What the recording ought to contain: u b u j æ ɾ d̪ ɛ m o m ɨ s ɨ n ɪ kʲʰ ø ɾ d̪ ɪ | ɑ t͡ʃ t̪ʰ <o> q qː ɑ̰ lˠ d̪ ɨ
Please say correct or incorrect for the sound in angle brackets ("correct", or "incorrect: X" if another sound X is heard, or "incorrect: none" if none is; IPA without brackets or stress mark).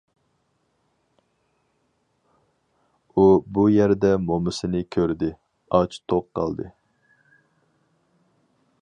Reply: correct